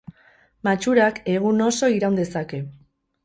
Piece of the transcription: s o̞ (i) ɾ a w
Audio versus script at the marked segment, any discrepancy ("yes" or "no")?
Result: no